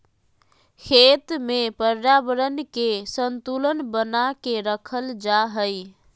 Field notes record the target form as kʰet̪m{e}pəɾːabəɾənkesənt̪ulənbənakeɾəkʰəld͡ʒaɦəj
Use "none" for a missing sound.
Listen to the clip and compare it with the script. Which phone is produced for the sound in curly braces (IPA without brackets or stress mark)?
e